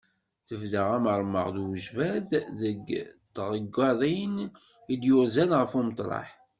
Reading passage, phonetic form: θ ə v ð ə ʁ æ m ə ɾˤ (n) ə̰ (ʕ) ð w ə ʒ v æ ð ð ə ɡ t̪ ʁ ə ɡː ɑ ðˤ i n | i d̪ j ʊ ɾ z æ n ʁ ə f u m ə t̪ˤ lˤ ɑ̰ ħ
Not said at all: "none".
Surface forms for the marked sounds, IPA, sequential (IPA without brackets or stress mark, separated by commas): m, ʁ